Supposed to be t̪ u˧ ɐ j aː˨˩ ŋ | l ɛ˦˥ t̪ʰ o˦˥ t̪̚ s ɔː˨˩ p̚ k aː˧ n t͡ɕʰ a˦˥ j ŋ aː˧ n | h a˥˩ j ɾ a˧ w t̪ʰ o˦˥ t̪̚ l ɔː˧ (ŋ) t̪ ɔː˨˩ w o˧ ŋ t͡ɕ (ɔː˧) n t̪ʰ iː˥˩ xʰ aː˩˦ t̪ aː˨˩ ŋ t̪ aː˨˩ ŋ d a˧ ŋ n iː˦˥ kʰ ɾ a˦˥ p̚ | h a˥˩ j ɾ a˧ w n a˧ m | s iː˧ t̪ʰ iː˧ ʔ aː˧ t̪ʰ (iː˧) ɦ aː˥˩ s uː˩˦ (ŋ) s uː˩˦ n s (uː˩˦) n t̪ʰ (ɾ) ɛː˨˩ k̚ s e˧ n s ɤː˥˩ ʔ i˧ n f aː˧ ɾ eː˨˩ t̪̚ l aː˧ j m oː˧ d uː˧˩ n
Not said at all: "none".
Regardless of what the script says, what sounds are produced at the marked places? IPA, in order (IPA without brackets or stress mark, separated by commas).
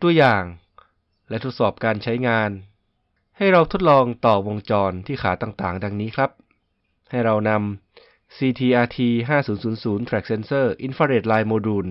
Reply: ŋ, ɔː˧, iː˧, n, uː˩˦, ɾ